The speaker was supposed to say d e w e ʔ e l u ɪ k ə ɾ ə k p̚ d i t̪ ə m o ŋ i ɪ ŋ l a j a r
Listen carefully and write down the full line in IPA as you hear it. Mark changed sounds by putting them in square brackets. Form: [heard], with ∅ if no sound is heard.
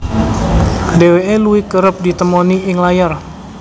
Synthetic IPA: d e w e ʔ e l u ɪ k ə ɾ ə [∅] p̚ d i t̪ ə m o [n] i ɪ ŋ l a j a r